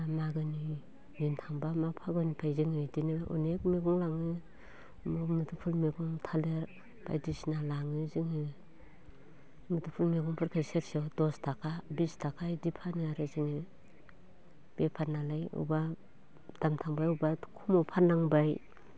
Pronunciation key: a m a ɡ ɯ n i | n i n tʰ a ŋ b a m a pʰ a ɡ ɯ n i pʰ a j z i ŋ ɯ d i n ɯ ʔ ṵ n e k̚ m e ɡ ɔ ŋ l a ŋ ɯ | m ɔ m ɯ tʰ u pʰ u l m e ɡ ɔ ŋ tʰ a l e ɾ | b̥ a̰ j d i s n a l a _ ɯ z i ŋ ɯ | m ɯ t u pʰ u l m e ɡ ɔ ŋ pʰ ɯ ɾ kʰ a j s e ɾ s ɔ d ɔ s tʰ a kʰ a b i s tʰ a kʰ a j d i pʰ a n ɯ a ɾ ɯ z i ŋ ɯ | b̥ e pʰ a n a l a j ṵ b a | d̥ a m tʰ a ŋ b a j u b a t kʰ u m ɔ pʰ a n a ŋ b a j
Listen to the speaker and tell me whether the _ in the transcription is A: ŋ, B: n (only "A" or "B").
A